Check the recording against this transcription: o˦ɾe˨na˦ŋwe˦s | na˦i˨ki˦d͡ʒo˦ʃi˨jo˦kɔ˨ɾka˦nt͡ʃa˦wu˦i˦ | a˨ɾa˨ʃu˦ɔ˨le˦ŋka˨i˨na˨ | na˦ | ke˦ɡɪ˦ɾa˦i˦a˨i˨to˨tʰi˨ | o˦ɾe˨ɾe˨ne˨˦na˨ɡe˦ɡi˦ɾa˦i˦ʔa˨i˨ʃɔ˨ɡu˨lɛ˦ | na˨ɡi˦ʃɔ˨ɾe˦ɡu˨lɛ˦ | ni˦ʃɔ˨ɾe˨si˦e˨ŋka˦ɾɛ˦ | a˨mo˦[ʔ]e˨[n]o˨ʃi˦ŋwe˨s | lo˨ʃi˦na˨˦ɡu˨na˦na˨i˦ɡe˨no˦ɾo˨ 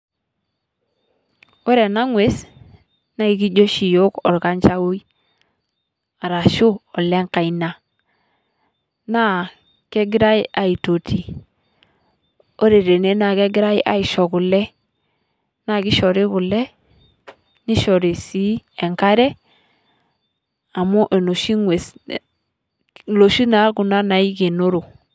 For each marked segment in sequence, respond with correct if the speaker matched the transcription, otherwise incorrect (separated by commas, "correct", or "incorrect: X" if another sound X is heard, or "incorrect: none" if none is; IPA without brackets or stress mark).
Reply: correct, correct